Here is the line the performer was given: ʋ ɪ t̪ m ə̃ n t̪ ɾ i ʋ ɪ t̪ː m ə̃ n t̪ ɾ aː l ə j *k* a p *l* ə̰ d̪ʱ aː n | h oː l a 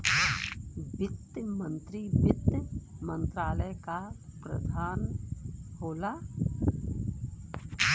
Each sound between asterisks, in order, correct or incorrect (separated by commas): correct, incorrect